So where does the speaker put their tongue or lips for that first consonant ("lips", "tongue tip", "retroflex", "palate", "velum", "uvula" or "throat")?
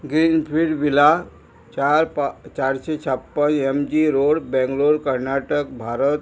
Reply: velum